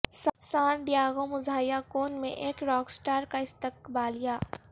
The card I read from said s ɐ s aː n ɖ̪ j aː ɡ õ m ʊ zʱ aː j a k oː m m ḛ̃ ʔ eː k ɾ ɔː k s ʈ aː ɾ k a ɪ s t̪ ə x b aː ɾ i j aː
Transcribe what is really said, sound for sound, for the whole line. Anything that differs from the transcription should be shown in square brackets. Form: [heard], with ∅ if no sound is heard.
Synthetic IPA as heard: s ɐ s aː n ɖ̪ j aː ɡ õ m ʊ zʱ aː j a k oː [n] m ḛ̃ ʔ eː k ɾ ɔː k s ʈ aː ɾ k a ɪ s t̪ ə [k] b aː [l] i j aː